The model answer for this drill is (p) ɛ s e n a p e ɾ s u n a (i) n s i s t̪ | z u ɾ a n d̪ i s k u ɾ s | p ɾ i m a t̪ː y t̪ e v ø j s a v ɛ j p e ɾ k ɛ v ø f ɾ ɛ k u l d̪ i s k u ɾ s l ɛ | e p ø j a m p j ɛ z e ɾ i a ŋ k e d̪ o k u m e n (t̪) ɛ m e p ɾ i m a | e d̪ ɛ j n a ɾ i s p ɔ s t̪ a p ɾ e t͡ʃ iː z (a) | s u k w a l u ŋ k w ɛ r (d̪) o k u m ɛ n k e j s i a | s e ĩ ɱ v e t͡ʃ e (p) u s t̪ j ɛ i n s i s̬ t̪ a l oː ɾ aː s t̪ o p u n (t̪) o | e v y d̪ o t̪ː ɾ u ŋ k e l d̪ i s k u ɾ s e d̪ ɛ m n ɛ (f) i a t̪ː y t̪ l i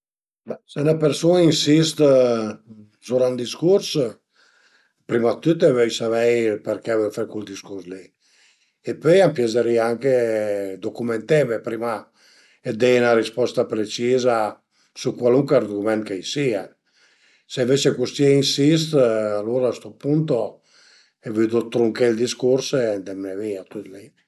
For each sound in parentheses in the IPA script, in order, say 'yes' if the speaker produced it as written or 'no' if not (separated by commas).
no, yes, yes, yes, yes, no, yes, no